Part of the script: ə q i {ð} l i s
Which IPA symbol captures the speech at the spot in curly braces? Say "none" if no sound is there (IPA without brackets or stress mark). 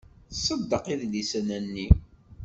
ð